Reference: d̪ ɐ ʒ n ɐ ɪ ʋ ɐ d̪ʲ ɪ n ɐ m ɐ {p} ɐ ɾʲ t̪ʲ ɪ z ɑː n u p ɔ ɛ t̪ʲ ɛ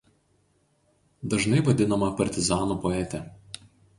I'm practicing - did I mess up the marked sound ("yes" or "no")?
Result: no